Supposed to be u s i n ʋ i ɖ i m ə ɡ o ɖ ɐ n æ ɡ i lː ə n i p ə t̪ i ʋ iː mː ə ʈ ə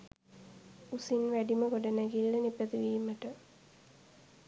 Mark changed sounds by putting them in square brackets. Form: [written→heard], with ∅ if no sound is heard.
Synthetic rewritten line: u s i n ʋ [i→æ] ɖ i m ə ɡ o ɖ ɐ n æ ɡ i lː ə n i p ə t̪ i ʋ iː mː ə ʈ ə

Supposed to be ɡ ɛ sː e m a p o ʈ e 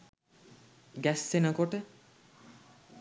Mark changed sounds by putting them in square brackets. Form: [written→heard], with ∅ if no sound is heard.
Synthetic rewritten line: ɡ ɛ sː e [m→n] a [p→k] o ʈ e

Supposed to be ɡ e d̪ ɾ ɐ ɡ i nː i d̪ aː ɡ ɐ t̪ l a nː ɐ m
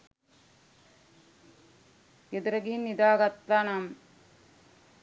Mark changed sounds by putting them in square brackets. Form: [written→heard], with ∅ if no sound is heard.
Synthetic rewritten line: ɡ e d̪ ɾ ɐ ɡ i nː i d̪ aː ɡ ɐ t̪ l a [nː→n] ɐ m

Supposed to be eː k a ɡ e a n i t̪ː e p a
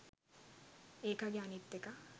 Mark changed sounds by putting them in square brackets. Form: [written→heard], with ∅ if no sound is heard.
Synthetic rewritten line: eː k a ɡ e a n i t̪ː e [p→k] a

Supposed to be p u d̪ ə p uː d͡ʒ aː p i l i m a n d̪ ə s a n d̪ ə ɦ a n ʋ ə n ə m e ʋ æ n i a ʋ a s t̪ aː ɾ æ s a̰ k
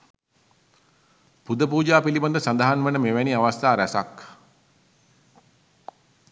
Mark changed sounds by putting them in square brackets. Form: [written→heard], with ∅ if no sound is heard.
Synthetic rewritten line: p u d̪ ə p uː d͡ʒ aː p i l i [m→b] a n d̪ ə s a n d̪ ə ɦ a n ʋ ə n ə m e ʋ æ n i a ʋ a s t̪ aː ɾ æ s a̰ k

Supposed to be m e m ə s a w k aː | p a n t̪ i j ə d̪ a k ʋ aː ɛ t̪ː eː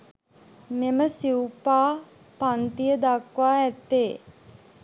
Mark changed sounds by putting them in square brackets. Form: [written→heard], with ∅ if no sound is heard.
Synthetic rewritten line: m e m ə s [a→i] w [k→p] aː | p a n t̪ i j ə d̪ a k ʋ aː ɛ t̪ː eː

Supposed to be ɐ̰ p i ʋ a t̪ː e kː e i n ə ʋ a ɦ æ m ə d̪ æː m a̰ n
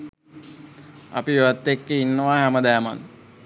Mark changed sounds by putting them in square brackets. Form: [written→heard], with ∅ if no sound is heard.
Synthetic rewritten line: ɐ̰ p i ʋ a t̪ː e kː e i [n→nː] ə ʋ a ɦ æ m ə d̪ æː m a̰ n

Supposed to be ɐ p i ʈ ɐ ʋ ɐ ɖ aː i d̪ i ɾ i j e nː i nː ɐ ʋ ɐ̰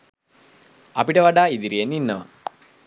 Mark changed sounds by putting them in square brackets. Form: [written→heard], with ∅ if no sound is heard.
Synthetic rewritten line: ɐ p i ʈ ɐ ʋ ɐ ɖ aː i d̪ i ɾ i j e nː i nː ɐ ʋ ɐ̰

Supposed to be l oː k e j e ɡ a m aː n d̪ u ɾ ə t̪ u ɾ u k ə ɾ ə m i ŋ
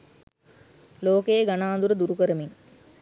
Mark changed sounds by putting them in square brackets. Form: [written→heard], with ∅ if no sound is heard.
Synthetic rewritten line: l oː k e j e ɡ a [m→n] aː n d̪ u ɾ ə [t̪→d̪] u ɾ u k ə ɾ ə m i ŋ

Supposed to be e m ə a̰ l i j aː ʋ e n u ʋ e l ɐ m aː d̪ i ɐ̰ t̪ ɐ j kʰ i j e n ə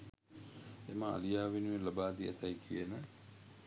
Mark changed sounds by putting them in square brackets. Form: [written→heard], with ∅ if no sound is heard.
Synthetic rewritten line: e m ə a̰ l i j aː ʋ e n u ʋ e l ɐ [m→b] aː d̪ i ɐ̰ t̪ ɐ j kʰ i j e n ə

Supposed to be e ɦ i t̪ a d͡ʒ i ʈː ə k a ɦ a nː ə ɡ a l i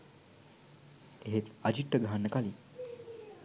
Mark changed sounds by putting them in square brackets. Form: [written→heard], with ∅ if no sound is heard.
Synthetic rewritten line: e ɦ [i→e] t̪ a d͡ʒ i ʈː ə [k→ɡ] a ɦ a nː ə [ɡ→k] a l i

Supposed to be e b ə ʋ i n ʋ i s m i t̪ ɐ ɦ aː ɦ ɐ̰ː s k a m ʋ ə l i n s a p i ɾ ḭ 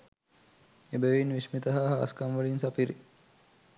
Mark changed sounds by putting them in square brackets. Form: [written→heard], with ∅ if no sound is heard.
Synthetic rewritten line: e b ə ʋ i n ʋ i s m i t̪ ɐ ɦ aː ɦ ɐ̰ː s k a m ʋ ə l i n s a p i ɾ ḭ

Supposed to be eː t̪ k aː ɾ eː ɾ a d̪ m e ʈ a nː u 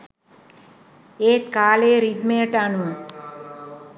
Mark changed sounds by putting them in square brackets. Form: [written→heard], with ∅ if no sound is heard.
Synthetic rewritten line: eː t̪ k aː [ɾ→l] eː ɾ [a→i] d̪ m e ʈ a [nː→n] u

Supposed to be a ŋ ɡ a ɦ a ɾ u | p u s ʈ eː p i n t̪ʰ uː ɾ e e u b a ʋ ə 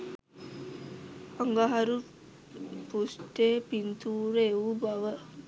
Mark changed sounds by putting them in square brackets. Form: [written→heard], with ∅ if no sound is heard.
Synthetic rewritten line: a ŋ ɡ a ɦ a ɾ u | p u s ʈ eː p i n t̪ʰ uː ɾ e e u b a ʋ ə

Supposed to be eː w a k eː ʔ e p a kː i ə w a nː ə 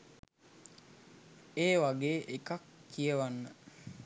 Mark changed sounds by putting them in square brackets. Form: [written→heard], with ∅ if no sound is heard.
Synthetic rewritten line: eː w a [k→ɡ] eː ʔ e [p→k] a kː i ə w a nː ə

